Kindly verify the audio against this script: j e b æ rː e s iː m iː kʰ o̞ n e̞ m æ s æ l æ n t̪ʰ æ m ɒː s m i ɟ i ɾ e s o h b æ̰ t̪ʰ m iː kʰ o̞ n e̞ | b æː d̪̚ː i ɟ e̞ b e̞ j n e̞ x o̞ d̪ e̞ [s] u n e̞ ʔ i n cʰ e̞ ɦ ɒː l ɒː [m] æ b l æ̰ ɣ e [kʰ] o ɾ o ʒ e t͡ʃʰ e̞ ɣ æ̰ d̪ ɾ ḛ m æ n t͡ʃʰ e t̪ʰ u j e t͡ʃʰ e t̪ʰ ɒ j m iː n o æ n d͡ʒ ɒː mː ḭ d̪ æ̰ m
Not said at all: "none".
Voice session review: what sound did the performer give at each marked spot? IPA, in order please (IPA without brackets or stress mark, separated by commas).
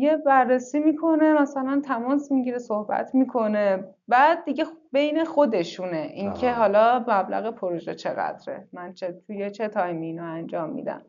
ʃ, m, pʰ